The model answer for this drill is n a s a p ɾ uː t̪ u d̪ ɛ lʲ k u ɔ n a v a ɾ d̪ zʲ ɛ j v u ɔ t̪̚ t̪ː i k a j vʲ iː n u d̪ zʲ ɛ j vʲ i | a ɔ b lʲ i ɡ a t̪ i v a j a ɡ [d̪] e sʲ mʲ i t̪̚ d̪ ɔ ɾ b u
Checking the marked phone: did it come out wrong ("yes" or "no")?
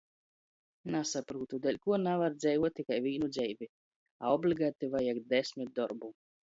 no